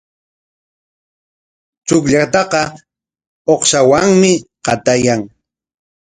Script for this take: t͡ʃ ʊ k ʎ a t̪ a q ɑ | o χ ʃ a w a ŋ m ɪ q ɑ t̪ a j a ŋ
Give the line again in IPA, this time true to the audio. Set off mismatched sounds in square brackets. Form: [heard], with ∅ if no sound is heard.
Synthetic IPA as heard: t͡ʃ ʊ k ʎ a t̪ [ɑ] q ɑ | o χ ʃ a w a ŋ m ɪ q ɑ t̪ a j a ŋ